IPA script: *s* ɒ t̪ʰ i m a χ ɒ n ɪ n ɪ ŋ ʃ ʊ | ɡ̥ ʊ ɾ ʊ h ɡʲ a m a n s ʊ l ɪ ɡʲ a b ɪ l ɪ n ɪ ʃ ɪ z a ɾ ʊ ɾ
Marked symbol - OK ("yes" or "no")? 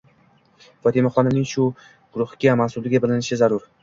no